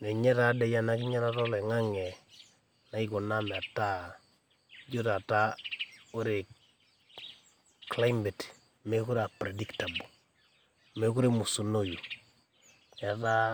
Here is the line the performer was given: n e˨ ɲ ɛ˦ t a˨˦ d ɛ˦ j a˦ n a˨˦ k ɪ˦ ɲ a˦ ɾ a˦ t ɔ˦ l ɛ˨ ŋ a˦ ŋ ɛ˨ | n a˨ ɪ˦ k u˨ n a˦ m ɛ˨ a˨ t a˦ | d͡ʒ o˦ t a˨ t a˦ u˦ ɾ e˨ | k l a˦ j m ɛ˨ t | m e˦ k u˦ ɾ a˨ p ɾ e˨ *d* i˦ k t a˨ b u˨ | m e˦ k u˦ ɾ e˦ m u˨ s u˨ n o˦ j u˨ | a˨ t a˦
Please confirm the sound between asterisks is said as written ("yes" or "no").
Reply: yes